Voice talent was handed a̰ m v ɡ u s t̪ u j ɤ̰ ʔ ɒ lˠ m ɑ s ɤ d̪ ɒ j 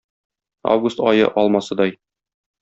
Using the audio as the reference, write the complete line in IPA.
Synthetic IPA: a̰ v ɡ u s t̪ ɒ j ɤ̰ ʔ ɒ lˠ m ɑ s ɤ d̪ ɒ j